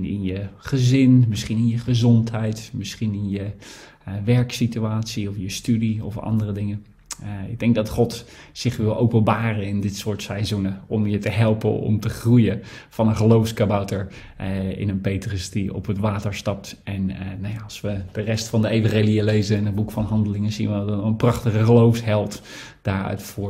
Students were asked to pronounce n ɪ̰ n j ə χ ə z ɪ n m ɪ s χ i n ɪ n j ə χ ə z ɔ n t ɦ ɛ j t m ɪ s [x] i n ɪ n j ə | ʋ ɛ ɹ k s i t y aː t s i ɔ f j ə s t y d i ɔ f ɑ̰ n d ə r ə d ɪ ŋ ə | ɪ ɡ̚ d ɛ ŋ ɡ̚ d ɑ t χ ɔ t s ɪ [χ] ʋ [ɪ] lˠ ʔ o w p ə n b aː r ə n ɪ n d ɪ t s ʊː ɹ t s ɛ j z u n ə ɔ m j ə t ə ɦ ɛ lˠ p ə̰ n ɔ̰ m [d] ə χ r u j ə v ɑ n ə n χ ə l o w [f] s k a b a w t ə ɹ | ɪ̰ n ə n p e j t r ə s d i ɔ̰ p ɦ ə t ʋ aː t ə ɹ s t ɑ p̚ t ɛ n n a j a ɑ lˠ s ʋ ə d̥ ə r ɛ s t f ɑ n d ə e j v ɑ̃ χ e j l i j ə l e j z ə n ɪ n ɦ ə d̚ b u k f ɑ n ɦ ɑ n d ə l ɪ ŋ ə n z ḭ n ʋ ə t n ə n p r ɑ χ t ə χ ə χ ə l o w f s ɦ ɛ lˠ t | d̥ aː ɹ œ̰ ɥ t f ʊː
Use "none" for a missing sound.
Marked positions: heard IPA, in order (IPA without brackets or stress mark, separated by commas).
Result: χ, χ, ɪ, t, f